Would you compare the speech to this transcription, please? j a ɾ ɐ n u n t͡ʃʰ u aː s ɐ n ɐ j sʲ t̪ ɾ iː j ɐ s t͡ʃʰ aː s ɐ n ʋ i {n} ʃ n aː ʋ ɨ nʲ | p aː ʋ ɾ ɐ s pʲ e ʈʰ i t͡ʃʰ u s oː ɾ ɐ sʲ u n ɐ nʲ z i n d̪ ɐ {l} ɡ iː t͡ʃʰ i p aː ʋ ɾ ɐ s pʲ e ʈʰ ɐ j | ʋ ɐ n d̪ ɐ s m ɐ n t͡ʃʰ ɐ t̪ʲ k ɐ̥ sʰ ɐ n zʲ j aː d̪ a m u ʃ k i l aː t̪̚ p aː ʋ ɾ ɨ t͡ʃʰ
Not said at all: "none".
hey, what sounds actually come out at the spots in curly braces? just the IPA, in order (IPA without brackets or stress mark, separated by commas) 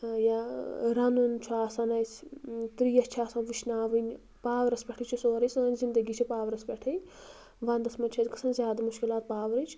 none, none